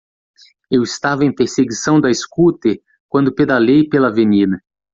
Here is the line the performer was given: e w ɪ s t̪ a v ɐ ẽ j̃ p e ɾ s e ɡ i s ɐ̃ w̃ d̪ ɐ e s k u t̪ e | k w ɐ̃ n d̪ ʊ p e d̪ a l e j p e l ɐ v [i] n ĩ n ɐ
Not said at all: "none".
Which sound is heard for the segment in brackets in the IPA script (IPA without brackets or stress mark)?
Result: e